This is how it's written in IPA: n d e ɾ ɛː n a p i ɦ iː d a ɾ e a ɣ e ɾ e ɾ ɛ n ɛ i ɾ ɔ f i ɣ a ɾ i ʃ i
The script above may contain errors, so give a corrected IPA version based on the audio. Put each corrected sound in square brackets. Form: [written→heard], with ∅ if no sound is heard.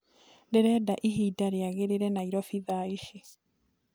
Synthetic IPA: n d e ɾ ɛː [n→d] a [p→ʔ] i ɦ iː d a ɾ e a ɣ e ɾ e ɾ ɛ n [ɛ→a] i ɾ ɔ f i [ɣ→ð] a [ɾ→∅] i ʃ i